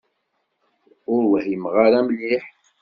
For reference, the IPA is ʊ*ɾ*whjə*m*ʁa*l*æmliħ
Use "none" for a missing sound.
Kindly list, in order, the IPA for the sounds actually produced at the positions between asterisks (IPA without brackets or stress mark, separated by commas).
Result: ɾ, m, ɾ